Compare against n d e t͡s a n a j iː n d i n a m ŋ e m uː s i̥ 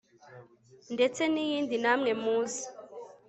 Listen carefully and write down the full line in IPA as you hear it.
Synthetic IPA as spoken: n d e t͡s e n i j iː n d i n a m ŋ e m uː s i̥